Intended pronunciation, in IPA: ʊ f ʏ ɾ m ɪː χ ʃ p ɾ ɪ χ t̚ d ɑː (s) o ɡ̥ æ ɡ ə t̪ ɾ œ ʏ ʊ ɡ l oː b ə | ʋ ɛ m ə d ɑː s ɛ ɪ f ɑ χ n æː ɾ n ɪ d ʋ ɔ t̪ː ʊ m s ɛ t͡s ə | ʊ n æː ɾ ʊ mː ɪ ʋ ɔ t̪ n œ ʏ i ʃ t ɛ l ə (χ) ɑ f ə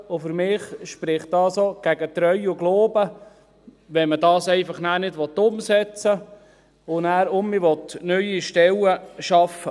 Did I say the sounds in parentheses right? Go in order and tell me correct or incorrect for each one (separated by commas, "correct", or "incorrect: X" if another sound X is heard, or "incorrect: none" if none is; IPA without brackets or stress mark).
correct, incorrect: ʃ